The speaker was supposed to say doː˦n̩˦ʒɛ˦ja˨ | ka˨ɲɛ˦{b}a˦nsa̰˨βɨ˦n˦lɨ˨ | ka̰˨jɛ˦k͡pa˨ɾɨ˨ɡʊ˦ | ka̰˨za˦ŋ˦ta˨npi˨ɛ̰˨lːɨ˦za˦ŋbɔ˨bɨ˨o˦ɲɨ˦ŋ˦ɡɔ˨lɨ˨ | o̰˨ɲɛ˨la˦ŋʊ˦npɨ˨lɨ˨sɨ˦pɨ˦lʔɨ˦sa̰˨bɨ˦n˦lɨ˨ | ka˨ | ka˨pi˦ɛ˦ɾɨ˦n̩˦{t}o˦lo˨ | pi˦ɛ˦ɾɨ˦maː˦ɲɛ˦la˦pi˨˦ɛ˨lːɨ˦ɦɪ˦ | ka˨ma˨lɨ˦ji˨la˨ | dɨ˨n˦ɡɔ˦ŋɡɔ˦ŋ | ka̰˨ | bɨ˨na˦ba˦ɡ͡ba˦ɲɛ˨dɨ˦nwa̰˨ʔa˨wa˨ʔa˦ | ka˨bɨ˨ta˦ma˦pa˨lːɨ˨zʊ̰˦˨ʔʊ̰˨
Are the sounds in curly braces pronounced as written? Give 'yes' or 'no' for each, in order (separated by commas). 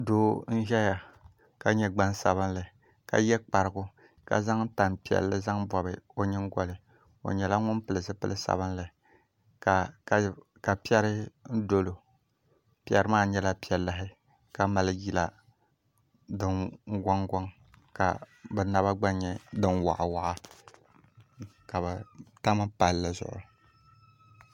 no, no